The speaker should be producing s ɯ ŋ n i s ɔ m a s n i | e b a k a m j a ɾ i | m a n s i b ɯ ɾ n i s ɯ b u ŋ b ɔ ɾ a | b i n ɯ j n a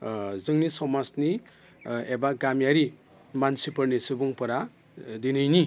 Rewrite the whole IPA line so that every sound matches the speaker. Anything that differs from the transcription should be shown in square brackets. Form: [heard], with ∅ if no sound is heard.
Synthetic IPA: [z] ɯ ŋ n i s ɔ m a s n i | e b a [ɡ] a m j a ɾ i | m a n s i [p] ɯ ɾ n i s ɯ b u ŋ [p] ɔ ɾ a | [d] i n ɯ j n [i]